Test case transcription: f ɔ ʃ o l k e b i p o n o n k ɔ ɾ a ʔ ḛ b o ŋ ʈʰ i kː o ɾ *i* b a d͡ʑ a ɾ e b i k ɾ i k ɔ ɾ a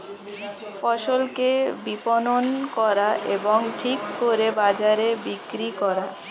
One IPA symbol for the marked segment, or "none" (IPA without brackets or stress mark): e